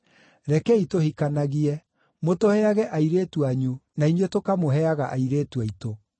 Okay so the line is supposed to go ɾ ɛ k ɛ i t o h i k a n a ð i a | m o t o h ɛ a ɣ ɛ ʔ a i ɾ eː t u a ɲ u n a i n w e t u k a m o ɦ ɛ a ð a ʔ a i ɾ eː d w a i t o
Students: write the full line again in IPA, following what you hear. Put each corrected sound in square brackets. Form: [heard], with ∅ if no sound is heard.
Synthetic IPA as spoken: ɾ ɛ k ɛ i t o h i k a n a [ɣ] i [ɛ] | m o t o h ɛ a ɣ ɛ ʔ a i ɾ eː t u a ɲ u n a i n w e t [o] k a m o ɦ ɛ a [ɣ] a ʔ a i ɾ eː [t] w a i t o